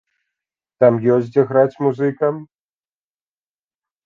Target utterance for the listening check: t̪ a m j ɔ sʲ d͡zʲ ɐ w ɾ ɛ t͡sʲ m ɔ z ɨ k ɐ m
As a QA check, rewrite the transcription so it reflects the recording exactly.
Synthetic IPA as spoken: t̪ a m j ɔ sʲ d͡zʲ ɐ ɣ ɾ a t͡sʲ m u z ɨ k ɐ m